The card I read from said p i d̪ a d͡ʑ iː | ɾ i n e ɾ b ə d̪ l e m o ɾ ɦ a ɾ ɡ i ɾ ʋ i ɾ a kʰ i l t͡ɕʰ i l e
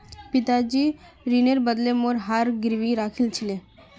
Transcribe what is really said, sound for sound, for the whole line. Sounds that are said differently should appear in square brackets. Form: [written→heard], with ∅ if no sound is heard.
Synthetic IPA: p i [d̪→t̪] a d͡ʑ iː | ɾ i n e ɾ b ə d̪ l e m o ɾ ɦ a ɾ ɡ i ɾ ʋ i ɾ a kʰ i l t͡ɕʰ i l e